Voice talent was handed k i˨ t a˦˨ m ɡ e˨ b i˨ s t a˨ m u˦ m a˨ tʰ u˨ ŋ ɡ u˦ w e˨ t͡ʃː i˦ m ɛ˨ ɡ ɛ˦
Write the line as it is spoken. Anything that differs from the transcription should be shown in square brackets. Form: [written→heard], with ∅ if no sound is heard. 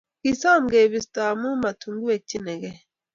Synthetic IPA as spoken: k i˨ [t→s] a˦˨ m ɡ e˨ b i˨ s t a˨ m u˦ m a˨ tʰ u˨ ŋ ɡ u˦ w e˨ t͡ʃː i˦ [m→n] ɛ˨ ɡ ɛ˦